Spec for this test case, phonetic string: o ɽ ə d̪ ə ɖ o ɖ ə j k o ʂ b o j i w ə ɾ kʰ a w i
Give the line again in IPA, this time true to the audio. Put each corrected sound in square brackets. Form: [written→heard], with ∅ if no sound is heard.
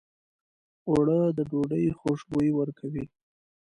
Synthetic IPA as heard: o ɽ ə d̪ ə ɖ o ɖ ə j [k→x] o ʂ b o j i w ə ɾ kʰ a w i